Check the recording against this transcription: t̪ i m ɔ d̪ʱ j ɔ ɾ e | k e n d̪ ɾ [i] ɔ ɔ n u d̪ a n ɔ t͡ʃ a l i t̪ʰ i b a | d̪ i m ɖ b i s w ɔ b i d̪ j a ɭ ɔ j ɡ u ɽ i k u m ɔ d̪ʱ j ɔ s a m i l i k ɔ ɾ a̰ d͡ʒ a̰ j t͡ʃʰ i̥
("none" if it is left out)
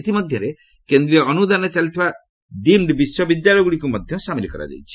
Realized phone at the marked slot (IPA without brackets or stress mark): i